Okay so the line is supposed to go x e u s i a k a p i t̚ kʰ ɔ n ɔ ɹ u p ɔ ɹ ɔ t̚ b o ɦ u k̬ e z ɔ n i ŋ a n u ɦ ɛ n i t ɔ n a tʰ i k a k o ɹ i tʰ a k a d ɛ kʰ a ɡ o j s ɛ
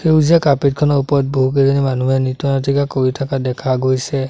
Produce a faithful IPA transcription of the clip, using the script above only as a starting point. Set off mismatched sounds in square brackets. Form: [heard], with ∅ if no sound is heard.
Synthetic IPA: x e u [z] i a k a p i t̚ kʰ ɔ n ɔ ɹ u p ɔ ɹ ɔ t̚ b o ɦ u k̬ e z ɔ n i [m] a n u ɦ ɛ n i t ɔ n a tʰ i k a k o ɹ i tʰ a k a d ɛ kʰ a ɡ o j s ɛ